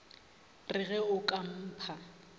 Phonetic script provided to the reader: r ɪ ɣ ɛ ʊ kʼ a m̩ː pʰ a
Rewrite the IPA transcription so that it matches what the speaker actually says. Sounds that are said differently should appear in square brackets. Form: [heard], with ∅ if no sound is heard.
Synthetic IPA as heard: r ɪ ɣ ɛ ʊ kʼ a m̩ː pʰ a